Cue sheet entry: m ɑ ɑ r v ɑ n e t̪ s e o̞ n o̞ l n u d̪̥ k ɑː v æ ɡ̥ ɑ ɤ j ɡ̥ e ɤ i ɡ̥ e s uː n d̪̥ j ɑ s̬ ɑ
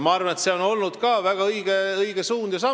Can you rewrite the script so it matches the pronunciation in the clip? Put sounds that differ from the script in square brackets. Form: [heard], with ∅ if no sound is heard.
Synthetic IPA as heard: m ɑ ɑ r v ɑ n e t̪ s e o̞ n o̞ l n u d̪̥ k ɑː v æ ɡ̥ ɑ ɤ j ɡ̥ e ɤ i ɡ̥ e s uː n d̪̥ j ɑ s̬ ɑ